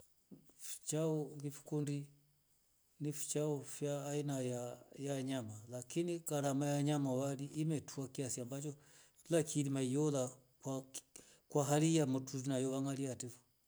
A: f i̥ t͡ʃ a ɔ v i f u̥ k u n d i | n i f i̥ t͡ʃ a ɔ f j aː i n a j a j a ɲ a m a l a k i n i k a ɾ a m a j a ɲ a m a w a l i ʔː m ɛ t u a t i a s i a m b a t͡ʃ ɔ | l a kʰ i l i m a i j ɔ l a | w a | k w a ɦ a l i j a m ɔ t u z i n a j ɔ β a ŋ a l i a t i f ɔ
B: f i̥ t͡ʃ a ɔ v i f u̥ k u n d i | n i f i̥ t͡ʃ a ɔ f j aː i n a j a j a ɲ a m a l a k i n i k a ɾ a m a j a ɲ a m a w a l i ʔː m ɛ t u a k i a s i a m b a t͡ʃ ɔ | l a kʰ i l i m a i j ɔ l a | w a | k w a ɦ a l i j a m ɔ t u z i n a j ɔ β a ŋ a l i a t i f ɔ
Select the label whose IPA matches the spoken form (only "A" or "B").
B